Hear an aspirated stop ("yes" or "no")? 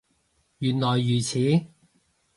yes